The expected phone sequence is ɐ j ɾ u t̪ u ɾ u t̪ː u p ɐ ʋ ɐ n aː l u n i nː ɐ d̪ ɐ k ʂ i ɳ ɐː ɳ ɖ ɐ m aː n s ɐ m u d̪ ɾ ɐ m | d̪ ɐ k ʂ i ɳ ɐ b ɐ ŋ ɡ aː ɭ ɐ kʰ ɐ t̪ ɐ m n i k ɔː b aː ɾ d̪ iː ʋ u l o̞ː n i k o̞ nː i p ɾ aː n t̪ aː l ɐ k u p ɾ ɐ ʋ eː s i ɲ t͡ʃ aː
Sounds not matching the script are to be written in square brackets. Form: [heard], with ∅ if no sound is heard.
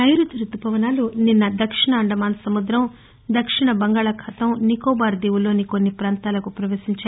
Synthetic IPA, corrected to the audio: ɐ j ɾ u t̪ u ɾ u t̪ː u p ɐ ʋ ɐ n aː l u n i nː ɐ d̪ ɐ k ʂ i ɳ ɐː ɳ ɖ ɐ m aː n s ɐ m u d̪ ɾ ɐ m | d̪ ɐ k ʂ i ɳ ɐ b ɐ ŋ ɡ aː ɭ ɐ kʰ ɐ t̪ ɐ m n i k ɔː b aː ɾ d̪ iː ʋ u l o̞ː n i k o̞ nː i p ɾ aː n t̪ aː l ɐ k u p ɾ ɐ ʋ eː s i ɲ t͡ʃ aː